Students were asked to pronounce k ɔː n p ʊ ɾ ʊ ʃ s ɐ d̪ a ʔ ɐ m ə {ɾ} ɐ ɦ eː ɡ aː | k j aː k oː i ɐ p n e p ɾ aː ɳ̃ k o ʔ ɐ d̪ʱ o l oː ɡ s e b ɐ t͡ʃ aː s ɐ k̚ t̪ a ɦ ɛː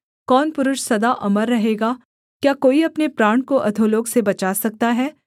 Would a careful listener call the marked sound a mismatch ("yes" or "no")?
yes